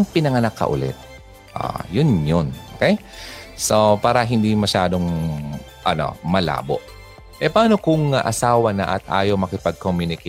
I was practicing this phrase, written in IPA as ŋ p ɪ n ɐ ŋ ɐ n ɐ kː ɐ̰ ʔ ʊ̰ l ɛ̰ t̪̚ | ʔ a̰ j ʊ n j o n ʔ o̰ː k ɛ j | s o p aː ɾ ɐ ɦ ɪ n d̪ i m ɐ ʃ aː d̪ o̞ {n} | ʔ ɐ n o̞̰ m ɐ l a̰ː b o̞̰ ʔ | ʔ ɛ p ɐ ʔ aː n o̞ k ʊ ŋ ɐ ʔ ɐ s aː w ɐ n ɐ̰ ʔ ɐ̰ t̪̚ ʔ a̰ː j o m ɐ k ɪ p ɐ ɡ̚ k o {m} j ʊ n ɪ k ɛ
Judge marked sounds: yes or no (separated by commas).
no, yes